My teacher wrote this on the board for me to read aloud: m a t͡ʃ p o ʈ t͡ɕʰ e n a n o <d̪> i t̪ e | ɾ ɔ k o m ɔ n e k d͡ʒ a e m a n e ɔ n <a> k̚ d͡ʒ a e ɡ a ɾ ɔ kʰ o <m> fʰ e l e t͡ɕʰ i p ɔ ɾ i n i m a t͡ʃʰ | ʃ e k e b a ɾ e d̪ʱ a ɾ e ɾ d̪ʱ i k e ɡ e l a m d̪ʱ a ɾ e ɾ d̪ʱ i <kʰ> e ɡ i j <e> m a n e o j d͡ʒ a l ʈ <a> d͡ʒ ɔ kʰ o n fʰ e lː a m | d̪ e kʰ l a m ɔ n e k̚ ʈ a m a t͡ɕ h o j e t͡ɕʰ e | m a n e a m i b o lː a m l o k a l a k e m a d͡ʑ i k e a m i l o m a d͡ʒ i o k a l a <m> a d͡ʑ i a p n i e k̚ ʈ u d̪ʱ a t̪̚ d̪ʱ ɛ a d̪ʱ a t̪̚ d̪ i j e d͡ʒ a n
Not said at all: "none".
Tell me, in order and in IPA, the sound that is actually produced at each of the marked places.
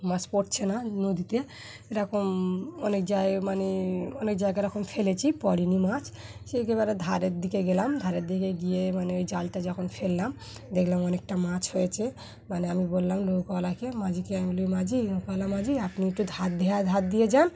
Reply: d̪, e, m, k, e, a, m

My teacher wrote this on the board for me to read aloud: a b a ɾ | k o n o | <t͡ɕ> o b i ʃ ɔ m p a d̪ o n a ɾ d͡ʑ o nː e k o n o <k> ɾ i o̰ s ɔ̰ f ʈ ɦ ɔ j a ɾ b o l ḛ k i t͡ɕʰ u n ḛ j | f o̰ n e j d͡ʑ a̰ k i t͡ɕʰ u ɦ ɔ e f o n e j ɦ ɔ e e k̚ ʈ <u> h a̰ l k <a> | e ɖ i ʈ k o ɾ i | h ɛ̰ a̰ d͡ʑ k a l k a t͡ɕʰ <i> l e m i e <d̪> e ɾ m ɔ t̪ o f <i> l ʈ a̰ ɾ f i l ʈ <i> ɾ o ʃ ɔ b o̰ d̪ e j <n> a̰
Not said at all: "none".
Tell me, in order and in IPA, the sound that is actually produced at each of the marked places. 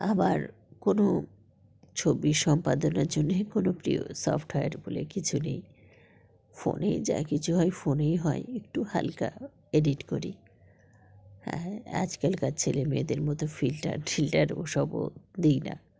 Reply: t͡ɕʰ, p, u, a, e, d̪, i, a, n

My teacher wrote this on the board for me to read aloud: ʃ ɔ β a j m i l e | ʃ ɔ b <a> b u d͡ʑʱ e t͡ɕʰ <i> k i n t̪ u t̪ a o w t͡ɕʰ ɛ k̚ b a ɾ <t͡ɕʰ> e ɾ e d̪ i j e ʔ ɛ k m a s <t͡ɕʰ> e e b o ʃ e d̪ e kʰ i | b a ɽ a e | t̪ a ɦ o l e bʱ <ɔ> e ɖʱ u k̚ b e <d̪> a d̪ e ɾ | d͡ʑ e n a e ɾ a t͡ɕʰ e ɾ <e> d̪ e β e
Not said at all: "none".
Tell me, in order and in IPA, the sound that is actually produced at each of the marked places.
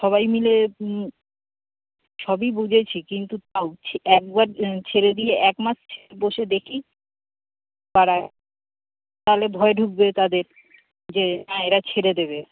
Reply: i, i, t͡ɕʰ, t͡ɕʰ, ɔ, t̪, e

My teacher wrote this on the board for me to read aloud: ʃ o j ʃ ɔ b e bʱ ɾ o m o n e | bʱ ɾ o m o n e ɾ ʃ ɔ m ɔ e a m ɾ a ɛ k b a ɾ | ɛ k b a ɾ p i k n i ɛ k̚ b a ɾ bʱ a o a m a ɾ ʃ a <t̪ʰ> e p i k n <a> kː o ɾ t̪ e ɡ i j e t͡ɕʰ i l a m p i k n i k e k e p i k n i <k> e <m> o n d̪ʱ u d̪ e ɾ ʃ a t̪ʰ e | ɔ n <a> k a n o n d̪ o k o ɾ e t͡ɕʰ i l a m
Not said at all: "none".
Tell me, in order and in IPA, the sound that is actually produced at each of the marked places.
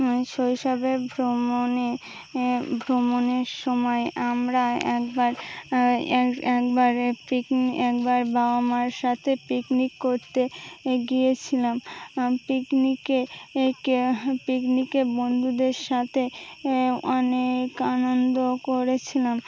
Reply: t̪ʰ, i, k, b, e

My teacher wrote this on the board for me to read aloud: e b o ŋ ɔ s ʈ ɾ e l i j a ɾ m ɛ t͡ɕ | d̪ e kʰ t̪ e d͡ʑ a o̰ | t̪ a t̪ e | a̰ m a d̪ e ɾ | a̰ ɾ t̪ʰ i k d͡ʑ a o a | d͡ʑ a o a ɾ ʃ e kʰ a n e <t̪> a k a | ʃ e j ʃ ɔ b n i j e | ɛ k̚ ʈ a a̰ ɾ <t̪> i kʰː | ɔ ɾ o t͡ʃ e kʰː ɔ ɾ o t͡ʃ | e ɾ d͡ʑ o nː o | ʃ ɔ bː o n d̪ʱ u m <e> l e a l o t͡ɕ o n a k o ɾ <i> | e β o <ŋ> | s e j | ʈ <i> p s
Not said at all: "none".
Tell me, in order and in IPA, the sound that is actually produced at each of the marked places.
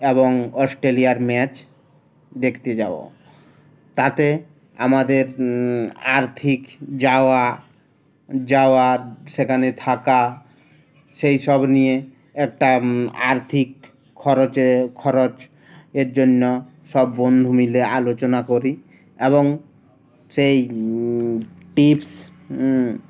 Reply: t̪ʰ, t̪ʰ, i, i, ŋ, i

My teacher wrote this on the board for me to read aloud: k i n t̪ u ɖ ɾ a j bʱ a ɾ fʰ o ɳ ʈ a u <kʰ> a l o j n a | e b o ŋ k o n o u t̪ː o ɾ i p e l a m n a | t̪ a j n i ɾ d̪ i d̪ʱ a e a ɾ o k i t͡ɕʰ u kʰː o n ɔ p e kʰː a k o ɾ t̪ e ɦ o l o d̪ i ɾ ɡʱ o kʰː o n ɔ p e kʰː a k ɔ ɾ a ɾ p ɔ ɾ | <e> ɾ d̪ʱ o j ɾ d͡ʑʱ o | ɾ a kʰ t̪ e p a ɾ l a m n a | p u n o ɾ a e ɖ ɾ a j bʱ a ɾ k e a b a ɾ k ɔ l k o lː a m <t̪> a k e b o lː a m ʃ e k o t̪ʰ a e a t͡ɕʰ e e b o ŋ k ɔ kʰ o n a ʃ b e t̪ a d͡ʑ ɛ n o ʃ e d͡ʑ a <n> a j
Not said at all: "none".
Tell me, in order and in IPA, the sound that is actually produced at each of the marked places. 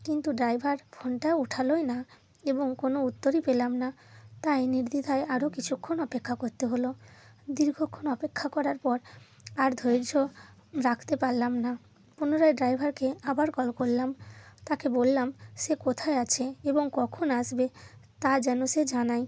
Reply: ʈʰ, a, t̪, n

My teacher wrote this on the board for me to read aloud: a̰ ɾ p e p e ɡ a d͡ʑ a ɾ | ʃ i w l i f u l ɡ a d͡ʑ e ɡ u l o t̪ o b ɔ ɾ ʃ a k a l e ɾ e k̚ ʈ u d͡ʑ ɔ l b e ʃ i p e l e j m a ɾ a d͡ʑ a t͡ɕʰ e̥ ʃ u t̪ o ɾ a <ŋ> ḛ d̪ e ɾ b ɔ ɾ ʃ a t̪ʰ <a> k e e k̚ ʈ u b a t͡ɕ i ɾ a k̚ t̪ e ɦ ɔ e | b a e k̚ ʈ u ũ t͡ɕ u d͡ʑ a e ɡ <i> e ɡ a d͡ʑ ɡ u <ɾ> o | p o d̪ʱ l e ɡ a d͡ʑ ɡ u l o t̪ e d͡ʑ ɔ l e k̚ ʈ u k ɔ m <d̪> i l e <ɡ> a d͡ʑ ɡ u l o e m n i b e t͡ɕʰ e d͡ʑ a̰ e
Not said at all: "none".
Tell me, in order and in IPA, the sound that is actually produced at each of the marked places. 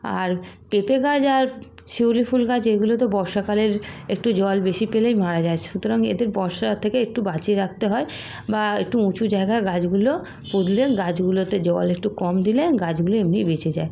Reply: ŋ, e, a, l, d̪, ɡ

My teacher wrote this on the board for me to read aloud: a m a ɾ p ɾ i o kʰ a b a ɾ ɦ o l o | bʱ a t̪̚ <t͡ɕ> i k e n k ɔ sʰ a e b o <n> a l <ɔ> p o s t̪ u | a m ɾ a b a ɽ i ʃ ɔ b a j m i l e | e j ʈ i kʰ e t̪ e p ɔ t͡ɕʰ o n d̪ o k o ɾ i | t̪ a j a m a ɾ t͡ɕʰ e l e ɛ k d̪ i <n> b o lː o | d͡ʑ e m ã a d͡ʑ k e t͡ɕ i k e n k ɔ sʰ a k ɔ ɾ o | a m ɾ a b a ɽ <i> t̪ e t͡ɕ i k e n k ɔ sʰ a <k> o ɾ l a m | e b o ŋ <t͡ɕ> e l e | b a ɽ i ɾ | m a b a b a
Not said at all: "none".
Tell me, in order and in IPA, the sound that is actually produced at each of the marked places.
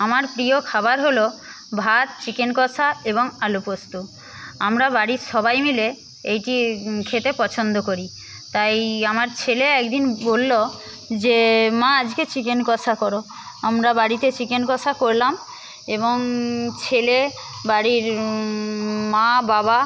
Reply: t͡ɕ, ŋ, u, n, i, k, t͡ɕʰ

